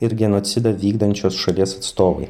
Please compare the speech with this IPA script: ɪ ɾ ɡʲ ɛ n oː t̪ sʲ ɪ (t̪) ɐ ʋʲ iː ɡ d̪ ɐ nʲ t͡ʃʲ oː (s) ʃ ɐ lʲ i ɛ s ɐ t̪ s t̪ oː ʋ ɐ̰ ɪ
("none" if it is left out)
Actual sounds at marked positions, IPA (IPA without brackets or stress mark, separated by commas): d̪, s